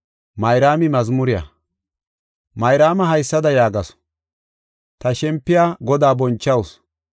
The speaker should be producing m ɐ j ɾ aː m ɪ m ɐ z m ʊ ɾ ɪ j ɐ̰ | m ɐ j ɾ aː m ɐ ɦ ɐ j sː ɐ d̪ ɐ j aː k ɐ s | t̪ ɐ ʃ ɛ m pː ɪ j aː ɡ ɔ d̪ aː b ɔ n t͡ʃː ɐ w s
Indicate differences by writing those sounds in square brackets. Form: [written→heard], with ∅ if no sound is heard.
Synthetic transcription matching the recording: m ɐ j ɾ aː m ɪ m ɐ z m ʊ ɾ ɪ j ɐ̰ | m ɐ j ɾ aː m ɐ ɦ ɐ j sː ɐ d̪ ɐ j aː [k→ɡ] ɐ s | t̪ ɐ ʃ ɛ m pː ɪ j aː ɡ ɔ d̪ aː b ɔ n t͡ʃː ɐ w s